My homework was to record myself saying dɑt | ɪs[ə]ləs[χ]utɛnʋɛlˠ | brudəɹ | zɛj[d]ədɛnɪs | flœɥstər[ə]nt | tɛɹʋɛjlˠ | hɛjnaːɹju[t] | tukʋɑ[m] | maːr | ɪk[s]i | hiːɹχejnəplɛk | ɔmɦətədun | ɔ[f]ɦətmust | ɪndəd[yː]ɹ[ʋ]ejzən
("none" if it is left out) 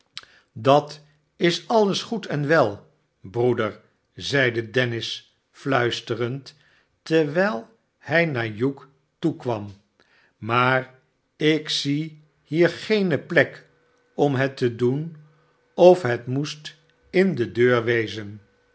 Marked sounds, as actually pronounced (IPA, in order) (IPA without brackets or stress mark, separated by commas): ɑ, χ, d, ə, k, m, s, f, øː, ʋ